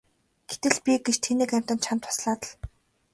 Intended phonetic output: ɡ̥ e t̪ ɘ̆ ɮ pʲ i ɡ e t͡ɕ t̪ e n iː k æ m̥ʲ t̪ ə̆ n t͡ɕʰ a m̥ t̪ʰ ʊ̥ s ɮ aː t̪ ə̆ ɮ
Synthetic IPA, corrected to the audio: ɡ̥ e t̪ ɘ̆ ɮ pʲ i ɡ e t͡ɕ t̪ʰ e n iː k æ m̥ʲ t̪ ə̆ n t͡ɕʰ a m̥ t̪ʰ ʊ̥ s ɮ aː t̪ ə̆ ɮ